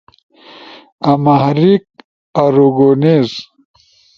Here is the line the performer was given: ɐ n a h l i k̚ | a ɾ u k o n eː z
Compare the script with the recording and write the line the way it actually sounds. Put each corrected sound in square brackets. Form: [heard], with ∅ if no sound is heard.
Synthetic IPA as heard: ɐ [m] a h [ɾ] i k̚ | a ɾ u [ɡ] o n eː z